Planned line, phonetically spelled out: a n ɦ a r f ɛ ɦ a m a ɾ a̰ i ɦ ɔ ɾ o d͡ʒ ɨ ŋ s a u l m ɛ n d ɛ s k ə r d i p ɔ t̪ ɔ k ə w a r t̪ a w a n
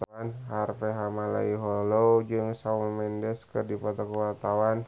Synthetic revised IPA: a n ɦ a r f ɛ ɦ a m a l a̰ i ɦ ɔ l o d͡ʒ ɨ ŋ s a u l m ɛ n d ɛ s k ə r d i p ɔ t̪ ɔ k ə w a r t̪ a w a n